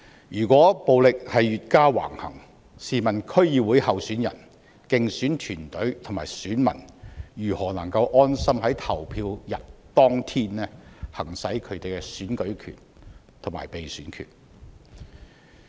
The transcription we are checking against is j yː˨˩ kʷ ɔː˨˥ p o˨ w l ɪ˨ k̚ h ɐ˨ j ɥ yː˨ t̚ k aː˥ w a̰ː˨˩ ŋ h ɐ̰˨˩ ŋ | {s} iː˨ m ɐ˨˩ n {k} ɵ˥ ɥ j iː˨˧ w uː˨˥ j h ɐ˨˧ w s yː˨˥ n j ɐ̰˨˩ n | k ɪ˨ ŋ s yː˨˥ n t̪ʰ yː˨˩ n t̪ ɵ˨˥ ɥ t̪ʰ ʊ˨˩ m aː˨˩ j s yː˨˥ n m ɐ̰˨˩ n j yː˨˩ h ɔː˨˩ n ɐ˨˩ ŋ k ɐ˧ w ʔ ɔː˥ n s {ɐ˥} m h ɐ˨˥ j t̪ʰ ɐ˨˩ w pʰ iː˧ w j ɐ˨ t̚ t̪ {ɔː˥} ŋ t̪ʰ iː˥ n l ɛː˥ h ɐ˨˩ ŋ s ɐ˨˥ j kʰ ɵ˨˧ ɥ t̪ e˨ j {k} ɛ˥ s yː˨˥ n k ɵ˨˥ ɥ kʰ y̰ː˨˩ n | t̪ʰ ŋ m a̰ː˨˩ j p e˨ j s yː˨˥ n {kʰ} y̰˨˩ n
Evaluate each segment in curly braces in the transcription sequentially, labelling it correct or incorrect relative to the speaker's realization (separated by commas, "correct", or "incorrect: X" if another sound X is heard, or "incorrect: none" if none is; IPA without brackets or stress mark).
correct, incorrect: kʰ, correct, correct, correct, correct